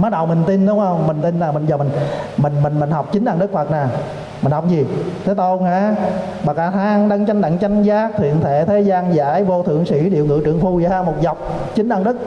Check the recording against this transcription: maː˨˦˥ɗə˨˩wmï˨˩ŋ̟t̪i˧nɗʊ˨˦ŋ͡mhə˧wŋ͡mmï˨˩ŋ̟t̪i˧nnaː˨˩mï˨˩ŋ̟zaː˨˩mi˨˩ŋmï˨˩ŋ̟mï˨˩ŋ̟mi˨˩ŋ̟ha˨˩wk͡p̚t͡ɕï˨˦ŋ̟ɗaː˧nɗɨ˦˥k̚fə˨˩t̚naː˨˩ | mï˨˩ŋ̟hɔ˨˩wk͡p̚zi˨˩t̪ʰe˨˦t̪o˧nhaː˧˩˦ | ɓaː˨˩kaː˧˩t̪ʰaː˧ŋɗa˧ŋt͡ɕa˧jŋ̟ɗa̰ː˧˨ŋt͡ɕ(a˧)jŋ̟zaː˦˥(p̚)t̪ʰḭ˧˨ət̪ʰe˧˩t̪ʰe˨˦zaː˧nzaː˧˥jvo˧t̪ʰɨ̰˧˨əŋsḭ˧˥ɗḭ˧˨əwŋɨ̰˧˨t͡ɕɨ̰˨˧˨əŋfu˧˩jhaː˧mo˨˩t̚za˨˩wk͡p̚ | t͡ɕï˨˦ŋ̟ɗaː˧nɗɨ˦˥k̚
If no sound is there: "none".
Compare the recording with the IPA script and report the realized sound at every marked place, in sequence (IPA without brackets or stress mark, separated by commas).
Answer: a˧, k̚